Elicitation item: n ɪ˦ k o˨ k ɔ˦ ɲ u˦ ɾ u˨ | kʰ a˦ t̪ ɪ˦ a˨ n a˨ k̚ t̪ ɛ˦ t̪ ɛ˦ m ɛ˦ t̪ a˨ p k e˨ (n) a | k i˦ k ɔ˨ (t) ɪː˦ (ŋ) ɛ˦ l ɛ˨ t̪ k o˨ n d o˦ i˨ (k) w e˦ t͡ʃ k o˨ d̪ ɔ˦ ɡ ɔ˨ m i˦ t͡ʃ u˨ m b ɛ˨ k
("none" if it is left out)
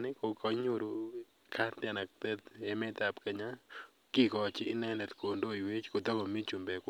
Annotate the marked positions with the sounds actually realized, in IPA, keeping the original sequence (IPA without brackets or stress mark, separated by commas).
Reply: ɲ, t͡ʃ, n, none